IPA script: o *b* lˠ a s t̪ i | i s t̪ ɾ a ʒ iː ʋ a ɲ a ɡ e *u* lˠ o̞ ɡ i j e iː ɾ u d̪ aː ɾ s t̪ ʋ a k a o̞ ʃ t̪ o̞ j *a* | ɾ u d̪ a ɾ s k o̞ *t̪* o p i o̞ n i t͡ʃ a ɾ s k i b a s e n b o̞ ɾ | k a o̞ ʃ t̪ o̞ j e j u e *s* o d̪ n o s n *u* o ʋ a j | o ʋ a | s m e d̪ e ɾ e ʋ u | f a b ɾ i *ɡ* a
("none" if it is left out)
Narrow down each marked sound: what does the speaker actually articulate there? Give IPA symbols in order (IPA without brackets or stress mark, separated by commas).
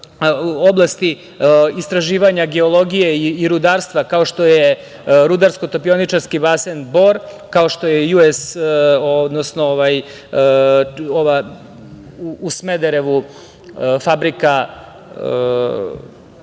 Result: b, o, e, t̪, s, o, k